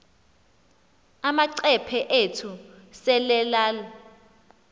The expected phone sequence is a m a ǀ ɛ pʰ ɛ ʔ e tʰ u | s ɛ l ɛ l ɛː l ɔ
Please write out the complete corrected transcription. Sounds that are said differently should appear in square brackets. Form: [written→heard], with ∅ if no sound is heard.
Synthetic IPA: a m a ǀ ɛ pʰ ɛ ʔ e tʰ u | s ɛ l ɛ l [ɛː→aː] l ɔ